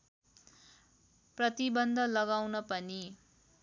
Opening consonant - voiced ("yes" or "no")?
no